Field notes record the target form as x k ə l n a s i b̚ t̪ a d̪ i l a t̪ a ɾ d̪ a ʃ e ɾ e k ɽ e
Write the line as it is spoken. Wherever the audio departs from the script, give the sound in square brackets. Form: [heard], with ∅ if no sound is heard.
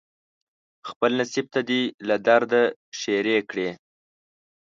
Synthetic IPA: x [p] ə l n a s i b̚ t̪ a d̪ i l a [d̪] a ɾ d̪ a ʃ e ɾ e k ɽ e